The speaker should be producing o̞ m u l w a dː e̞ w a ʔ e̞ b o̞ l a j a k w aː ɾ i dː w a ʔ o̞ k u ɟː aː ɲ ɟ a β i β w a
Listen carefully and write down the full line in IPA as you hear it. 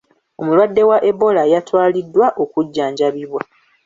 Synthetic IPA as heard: o̞ m u l w a dː e̞ w a ʔ e̞ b o̞ l a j a t w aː l i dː w a ʔ o̞ k u ɟː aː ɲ ɟ a β i β w a